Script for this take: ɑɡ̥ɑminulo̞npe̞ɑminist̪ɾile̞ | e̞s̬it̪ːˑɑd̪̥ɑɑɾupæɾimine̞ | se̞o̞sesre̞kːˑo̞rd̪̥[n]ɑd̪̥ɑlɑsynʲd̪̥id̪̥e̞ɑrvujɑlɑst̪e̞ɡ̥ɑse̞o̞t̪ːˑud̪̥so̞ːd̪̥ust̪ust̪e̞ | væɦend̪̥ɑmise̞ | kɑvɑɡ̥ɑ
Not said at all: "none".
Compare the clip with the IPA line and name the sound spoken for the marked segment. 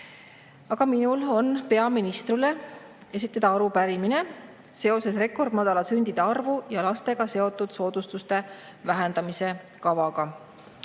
m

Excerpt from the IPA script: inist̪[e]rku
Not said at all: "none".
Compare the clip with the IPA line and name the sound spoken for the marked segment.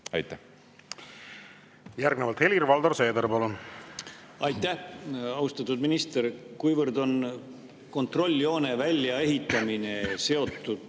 e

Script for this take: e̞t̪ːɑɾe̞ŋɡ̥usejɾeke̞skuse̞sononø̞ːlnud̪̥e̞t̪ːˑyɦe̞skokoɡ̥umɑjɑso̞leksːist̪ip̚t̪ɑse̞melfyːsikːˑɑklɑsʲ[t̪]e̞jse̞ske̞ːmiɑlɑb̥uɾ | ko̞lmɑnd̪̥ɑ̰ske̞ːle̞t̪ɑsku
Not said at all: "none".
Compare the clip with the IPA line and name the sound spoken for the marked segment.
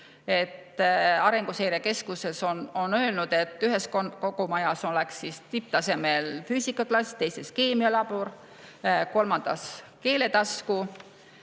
t̪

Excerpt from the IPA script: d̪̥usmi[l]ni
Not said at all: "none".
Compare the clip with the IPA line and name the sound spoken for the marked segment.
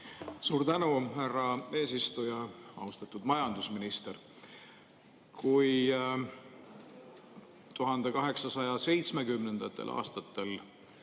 none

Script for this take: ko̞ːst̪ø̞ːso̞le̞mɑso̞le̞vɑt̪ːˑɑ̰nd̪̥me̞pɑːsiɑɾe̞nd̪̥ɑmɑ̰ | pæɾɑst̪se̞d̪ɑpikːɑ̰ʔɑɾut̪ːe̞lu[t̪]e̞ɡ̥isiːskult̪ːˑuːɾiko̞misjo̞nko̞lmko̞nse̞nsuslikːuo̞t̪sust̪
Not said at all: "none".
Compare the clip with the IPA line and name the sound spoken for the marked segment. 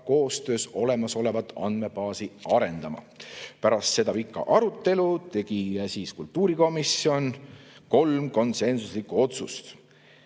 t̪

